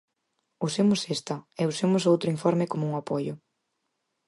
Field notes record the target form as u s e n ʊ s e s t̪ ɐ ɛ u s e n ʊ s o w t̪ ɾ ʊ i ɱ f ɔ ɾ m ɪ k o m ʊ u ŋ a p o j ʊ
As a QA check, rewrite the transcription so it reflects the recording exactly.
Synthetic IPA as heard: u s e m ʊ s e s t̪ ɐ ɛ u s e m ʊ s o w t̪ ɾ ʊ i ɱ f ɔ ɾ m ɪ k o m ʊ u ŋ a p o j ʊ